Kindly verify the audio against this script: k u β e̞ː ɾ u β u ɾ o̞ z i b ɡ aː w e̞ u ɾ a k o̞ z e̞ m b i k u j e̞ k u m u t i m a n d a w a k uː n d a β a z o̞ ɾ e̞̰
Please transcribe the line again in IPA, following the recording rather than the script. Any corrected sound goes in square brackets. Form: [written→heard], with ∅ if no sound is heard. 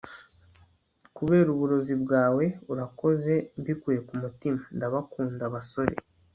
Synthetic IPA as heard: k u β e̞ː ɾ u β u ɾ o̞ z i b ɡ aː w e̞ u ɾ a k o̞ z e̞ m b i k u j e̞ k u m u t i m a n d a [w→β] a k uː n d a β a [z→s] o̞ ɾ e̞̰